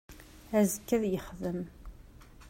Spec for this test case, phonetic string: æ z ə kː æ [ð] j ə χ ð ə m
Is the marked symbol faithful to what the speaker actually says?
yes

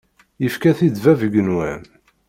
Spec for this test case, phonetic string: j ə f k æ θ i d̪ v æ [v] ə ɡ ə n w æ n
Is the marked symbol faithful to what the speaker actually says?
yes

